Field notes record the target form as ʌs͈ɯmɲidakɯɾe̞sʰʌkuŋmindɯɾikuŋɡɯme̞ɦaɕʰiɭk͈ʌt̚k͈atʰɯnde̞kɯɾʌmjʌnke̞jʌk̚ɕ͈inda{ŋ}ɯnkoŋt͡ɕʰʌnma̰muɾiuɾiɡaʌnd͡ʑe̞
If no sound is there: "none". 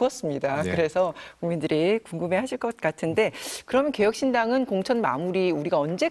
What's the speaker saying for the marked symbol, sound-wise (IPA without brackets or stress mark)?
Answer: ŋ